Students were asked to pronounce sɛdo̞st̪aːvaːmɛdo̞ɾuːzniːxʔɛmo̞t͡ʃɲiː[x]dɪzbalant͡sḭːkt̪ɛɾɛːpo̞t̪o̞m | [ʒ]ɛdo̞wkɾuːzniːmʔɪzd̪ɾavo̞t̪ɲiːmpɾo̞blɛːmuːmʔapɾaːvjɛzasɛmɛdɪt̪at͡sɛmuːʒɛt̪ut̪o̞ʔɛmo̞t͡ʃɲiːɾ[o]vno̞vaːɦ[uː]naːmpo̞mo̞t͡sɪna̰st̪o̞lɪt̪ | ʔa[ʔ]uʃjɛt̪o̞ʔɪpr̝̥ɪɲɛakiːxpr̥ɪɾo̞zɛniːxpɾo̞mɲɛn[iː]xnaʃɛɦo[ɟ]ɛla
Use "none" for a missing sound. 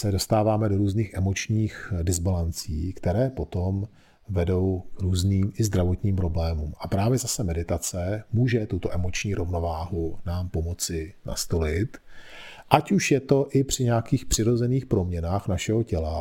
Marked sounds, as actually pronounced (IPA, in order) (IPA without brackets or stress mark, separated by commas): x, v, o, u, c, aː, c